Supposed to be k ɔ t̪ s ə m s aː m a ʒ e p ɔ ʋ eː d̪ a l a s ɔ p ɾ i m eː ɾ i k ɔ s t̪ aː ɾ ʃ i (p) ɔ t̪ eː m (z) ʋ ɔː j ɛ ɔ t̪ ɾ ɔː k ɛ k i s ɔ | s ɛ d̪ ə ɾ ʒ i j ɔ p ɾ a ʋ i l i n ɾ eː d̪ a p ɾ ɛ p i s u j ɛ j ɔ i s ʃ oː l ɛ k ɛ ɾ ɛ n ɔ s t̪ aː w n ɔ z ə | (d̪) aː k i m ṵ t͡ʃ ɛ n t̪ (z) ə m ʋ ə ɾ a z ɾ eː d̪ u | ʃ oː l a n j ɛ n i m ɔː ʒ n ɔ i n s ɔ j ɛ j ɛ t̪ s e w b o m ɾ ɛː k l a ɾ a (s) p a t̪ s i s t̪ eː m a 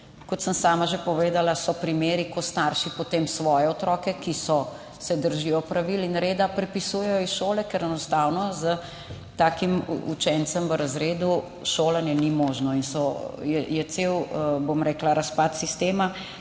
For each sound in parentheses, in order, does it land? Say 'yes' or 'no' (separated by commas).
yes, no, no, no, yes